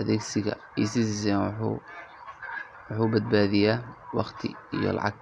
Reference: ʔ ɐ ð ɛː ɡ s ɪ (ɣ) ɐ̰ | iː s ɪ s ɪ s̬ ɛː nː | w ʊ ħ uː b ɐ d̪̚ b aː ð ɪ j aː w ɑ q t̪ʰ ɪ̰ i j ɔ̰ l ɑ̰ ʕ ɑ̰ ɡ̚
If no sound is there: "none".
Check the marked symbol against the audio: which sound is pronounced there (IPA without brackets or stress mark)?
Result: ɣ